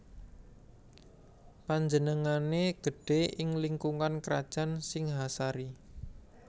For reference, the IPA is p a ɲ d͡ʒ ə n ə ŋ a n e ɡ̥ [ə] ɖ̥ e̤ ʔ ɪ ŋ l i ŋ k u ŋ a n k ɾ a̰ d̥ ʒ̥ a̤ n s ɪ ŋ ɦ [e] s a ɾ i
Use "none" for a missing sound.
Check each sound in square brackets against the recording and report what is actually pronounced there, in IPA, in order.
ə, a

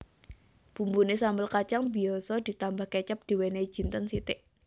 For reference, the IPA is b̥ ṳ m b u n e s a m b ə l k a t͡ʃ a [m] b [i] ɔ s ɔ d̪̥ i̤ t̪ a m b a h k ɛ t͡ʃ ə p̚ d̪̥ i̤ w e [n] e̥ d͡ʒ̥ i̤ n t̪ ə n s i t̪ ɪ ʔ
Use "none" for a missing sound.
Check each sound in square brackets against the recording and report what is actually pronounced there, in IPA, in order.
ŋ, i, n

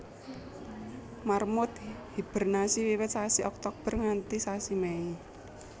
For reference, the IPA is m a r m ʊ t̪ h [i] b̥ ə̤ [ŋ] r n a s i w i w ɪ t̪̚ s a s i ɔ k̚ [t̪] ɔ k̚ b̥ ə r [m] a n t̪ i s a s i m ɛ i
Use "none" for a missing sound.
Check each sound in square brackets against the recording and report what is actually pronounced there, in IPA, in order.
i, none, t̪, ŋ

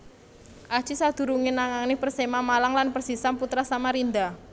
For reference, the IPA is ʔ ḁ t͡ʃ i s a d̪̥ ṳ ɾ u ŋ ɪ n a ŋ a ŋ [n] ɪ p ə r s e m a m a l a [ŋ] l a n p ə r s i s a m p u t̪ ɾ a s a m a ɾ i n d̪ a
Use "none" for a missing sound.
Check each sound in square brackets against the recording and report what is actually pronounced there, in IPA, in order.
n, ŋ

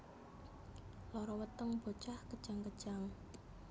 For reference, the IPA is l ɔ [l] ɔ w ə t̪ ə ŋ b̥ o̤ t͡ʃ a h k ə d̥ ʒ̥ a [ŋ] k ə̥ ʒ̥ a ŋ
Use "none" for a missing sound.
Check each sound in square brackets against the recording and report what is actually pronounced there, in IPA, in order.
ɾ, ŋ

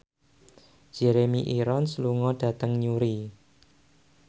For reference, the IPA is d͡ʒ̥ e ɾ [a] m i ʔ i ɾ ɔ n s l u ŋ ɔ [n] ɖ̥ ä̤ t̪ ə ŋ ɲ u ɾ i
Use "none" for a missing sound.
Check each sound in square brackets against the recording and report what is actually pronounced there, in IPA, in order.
e, none

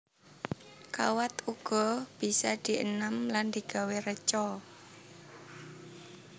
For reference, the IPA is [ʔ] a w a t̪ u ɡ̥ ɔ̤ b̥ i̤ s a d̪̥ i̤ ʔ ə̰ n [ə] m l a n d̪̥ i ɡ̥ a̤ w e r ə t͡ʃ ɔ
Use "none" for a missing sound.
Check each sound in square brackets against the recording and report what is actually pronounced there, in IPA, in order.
k, a

